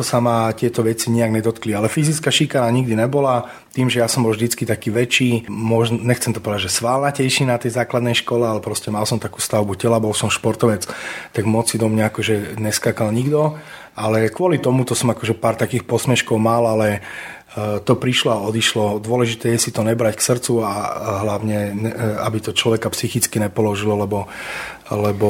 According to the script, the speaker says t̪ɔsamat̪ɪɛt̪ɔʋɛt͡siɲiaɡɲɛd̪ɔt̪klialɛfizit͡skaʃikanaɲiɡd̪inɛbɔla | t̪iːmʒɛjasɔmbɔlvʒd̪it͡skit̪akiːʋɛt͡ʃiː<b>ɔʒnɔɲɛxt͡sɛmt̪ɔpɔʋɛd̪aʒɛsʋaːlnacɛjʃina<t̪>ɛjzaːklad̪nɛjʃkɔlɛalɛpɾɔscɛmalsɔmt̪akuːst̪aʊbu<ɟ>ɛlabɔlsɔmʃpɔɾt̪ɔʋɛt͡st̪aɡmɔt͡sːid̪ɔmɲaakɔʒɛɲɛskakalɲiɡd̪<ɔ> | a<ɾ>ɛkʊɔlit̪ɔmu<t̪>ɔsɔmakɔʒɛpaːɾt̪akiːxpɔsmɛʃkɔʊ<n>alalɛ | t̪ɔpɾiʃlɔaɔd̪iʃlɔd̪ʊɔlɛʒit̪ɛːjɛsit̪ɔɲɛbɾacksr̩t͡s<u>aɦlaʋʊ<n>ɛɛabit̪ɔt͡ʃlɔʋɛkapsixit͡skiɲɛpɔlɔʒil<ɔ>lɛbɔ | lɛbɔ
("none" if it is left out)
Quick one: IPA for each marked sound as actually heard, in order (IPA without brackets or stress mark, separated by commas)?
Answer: m, t̪, c, ɔ, l, t̪, m, u, ɲ, ɔ